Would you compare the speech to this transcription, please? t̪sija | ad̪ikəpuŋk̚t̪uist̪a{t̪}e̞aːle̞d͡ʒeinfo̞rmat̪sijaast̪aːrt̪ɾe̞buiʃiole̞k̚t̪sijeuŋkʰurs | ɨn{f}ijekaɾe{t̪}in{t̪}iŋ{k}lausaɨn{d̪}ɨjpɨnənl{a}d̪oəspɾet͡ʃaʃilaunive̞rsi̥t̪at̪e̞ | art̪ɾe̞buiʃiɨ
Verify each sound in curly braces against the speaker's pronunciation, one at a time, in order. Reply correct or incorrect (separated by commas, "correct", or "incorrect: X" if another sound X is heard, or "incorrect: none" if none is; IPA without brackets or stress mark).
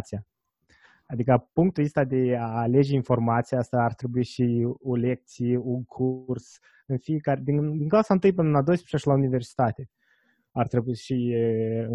incorrect: d̪, correct, incorrect: d̪, incorrect: d̪, correct, incorrect: t̪, correct